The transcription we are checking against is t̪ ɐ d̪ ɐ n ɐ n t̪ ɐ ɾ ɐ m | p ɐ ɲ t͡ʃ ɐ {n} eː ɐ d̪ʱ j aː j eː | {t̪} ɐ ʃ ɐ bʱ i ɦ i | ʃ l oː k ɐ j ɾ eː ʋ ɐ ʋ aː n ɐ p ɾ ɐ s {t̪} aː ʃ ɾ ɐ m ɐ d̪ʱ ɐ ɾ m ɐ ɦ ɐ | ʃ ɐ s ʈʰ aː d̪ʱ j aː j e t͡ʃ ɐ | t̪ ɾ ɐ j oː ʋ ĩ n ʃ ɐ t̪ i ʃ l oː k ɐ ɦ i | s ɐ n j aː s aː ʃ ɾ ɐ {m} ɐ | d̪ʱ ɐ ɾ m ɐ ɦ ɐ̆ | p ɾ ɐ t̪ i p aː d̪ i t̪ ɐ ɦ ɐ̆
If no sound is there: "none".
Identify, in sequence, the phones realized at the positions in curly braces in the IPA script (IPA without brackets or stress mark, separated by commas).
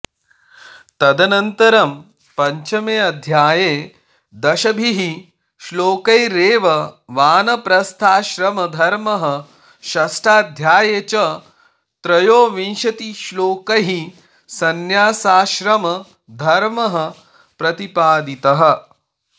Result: m, d̪, t̪ʰ, m